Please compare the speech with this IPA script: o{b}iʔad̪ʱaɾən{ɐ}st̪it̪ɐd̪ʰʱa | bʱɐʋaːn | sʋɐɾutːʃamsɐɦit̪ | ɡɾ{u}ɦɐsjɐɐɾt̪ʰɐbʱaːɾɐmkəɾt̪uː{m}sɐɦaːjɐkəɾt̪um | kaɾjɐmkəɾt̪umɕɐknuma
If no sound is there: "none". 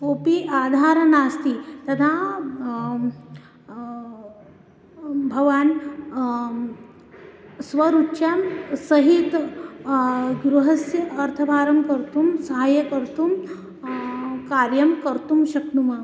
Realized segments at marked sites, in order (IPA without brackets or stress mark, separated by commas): p, a, u, m